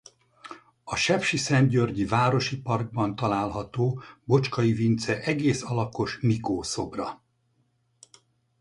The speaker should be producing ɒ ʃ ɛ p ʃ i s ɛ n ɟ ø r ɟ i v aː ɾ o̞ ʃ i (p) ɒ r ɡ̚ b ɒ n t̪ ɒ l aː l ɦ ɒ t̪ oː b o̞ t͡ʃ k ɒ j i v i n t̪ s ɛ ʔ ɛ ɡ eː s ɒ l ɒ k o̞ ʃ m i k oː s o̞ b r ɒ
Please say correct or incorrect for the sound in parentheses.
correct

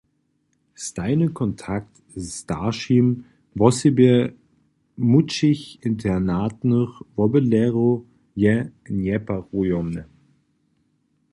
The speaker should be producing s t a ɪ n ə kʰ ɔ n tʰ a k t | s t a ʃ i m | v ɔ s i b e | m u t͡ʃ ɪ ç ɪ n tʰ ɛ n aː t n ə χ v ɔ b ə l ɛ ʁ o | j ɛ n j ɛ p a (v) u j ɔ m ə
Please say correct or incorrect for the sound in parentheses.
incorrect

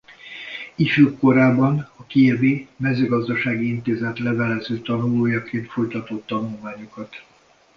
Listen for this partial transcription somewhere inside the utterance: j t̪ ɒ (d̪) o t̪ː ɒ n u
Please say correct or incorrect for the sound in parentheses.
incorrect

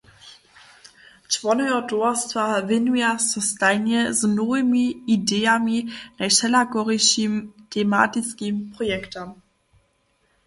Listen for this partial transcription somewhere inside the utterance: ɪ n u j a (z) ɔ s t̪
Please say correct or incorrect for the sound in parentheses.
incorrect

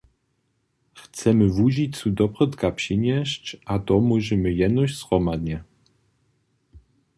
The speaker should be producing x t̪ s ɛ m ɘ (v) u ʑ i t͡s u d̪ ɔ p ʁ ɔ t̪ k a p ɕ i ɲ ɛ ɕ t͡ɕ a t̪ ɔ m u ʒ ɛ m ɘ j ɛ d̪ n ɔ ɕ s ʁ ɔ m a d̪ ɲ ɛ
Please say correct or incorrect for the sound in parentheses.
correct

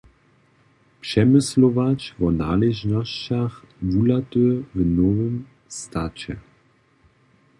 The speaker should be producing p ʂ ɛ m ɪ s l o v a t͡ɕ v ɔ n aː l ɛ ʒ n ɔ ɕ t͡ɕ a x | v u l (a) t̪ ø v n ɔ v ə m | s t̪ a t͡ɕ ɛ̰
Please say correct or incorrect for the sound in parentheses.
correct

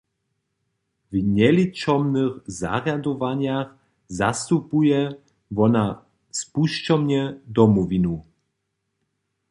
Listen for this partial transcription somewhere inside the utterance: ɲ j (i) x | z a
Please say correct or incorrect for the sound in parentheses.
incorrect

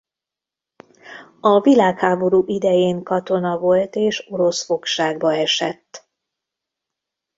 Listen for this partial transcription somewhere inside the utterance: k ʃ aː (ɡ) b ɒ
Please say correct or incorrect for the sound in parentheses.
correct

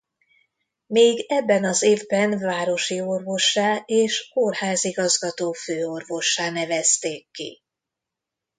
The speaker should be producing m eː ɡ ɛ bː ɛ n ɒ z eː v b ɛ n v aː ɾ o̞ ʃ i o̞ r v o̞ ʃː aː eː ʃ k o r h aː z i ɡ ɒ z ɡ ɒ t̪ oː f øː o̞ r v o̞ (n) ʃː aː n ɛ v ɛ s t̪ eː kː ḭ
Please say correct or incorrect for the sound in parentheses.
incorrect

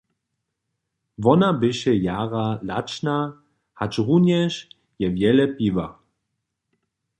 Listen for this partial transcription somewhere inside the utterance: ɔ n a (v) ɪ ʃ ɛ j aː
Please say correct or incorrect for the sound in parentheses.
incorrect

